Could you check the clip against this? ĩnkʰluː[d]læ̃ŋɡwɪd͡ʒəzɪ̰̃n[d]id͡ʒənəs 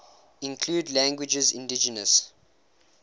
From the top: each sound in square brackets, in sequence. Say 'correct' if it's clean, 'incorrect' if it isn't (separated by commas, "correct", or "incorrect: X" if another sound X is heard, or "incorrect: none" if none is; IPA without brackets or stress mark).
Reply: correct, correct